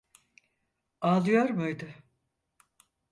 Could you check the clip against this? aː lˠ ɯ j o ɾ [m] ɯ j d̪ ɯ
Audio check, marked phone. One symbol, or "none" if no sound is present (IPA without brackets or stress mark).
m